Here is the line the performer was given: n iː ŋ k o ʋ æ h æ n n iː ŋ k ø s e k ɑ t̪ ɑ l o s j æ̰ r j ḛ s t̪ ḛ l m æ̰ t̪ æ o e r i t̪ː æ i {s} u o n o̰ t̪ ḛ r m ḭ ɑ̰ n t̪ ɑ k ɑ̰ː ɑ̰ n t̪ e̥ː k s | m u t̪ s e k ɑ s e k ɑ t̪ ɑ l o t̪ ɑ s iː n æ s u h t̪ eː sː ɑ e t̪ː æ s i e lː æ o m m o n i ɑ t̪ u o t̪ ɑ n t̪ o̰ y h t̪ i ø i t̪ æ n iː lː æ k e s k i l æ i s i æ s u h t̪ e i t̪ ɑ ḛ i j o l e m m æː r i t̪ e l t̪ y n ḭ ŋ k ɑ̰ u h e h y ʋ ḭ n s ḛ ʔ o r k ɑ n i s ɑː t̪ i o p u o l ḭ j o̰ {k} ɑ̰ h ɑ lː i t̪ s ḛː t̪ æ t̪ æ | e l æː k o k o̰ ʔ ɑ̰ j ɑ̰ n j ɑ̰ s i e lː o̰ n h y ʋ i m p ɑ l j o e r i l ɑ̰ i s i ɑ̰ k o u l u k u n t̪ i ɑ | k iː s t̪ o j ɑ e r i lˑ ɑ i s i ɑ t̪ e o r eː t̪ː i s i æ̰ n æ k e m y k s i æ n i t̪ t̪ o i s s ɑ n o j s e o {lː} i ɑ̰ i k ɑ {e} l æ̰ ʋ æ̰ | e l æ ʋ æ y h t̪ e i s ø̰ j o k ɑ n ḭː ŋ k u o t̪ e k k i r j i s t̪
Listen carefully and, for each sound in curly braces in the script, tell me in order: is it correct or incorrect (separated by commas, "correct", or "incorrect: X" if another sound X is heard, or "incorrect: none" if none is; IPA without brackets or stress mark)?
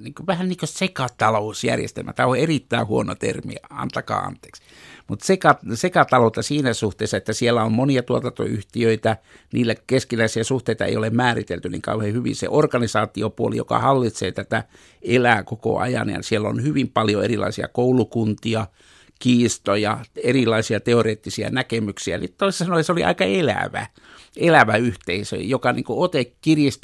incorrect: h, correct, incorrect: l, correct